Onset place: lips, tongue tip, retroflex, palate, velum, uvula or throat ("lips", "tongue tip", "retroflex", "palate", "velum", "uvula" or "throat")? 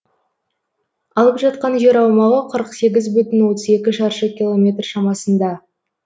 tongue tip